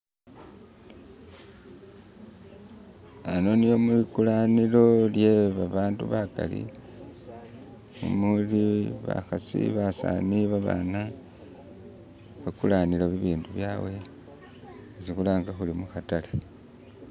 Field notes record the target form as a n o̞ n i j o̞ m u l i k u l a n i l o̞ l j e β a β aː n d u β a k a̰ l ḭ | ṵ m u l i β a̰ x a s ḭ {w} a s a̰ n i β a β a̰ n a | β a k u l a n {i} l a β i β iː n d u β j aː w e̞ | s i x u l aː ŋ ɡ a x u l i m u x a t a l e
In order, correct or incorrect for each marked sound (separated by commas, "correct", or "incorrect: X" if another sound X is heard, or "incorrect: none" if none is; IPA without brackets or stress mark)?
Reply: incorrect: β, correct